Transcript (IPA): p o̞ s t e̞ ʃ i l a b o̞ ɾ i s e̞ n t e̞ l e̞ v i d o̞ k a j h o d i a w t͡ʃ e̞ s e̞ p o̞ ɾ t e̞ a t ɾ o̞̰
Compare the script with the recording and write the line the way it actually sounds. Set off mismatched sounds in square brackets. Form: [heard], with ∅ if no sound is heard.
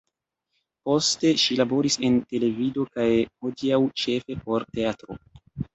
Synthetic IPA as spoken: p o̞ s t e̞ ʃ i l a b o̞ ɾ i s e̞ n t e̞ l e̞ v i d o̞ k a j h o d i a w t͡ʃ e̞ [f] e̞ p o̞ ɾ t e̞ a t ɾ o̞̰

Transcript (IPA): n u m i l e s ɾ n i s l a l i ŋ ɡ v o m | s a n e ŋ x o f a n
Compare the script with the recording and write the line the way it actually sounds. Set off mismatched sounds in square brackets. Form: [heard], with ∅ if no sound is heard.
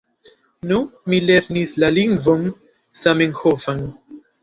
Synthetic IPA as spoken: n u m i l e [∅] ɾ n i s l a l i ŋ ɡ v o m | s a [m] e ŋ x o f a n

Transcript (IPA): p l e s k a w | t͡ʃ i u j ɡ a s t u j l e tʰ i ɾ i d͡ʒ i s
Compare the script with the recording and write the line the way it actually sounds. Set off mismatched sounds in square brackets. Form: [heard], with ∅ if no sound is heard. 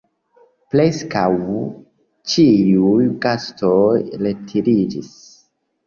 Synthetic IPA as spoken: p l e s k a w | t͡ʃ i u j ɡ a s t [o] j l e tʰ i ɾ i d͡ʒ i s

